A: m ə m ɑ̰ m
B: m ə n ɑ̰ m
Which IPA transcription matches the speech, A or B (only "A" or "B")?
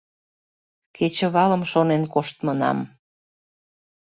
B